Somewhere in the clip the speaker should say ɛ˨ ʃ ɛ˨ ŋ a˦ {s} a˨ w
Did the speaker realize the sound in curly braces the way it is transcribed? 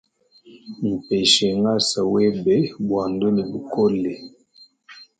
yes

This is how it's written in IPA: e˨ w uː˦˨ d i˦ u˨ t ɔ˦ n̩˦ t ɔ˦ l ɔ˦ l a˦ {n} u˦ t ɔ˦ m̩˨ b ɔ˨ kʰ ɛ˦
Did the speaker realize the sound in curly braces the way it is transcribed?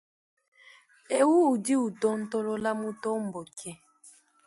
no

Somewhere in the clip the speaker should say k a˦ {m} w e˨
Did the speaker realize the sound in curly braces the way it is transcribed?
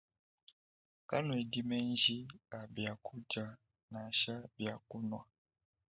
no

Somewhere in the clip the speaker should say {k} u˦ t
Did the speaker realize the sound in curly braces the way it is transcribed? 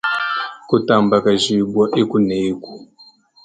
yes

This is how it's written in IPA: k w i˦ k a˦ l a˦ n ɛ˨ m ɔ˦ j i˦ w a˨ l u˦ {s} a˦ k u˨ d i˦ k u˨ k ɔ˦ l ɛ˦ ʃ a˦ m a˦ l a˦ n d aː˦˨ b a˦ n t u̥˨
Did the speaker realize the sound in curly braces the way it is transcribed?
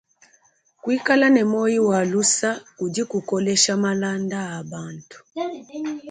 yes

